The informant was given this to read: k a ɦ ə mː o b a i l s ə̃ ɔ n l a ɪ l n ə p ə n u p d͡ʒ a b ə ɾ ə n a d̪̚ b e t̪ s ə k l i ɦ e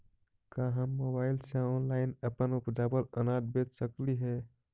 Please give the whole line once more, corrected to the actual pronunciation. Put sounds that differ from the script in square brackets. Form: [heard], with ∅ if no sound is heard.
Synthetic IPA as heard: k a ɦ ə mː o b a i l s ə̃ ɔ n l a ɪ [∅] n ə p ə n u p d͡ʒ a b ə [l] ə n a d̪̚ b e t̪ s ə k l i ɦ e

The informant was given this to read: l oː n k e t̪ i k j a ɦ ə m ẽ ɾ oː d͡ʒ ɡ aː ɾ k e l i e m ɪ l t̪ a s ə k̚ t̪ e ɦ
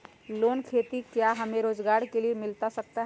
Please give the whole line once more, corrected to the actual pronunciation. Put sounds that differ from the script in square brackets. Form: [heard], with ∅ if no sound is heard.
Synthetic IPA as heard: l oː n [kʰ] e t̪ i k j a ɦ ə m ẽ ɾ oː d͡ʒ ɡ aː ɾ k e l i e m ɪ l t̪ a s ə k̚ t̪ [a] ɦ

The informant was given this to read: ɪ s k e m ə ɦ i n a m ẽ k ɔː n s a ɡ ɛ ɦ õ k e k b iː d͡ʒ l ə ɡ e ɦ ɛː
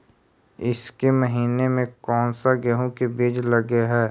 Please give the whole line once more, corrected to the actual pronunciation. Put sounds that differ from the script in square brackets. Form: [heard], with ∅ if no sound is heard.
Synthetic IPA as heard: ɪ s k e m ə ɦ [iː] n [e] m ẽ k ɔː n s a ɡ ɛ ɦ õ k e [∅] b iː d͡ʒ l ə ɡ e ɦ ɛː

